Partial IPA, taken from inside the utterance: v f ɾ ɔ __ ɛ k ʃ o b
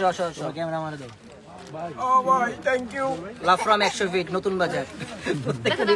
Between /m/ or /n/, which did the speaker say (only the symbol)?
m